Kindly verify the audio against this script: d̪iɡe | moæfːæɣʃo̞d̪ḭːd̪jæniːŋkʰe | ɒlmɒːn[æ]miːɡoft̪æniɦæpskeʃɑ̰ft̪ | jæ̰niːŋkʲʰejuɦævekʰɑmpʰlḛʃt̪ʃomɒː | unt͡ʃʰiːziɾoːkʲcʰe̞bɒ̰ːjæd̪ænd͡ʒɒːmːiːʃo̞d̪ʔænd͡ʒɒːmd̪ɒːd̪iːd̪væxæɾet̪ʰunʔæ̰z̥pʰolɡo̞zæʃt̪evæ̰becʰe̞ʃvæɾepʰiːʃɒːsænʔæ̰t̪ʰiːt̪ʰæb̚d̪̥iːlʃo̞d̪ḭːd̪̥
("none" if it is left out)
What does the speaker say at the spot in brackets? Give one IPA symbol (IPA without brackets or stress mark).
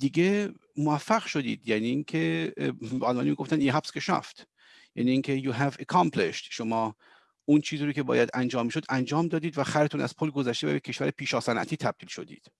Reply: i